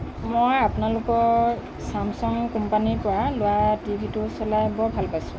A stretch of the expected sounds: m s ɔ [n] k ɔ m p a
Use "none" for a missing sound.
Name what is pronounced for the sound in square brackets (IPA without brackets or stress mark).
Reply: ŋ